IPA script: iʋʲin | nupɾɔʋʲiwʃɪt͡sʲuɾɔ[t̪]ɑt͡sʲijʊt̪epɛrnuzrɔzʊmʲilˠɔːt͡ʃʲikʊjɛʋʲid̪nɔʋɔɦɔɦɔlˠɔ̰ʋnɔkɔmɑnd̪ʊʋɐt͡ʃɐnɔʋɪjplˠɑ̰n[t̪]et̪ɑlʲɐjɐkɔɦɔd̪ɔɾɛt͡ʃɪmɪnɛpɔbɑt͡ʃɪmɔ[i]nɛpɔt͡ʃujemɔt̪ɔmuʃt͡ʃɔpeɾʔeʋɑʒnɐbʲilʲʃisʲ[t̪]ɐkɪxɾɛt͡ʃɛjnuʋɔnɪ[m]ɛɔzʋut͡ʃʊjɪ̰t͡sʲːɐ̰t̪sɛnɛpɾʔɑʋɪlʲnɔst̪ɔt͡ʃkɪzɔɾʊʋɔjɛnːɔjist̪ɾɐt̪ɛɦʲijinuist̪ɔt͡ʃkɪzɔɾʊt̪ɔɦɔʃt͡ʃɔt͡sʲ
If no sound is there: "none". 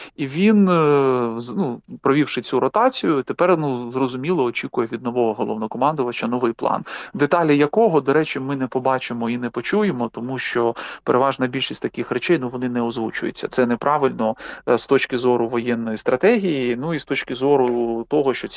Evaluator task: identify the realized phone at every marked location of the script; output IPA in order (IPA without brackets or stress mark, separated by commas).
t̪, d̪, i, t̪, n